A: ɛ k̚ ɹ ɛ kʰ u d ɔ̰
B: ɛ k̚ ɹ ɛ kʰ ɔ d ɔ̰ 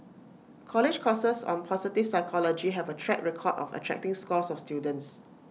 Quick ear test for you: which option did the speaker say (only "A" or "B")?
B